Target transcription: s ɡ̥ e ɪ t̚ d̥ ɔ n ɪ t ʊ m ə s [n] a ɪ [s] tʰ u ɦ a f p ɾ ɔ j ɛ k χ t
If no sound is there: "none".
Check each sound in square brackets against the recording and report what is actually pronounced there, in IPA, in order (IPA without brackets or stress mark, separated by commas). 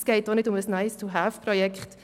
n, s